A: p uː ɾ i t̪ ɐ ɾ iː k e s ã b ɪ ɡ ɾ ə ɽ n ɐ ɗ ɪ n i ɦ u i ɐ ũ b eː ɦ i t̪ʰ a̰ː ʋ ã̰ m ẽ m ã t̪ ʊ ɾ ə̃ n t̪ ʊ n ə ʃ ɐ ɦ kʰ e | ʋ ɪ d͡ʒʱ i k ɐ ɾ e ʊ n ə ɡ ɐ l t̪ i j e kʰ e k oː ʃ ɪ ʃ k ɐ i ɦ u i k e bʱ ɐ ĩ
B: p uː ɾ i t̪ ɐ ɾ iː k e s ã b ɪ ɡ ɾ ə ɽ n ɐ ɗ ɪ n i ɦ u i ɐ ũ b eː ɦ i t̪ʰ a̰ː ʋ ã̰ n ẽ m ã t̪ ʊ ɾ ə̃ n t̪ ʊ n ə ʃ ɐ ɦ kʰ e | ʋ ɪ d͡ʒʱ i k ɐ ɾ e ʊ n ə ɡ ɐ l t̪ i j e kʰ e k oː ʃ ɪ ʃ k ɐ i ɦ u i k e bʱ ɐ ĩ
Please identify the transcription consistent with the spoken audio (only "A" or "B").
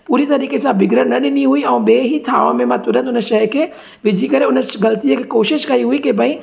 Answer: A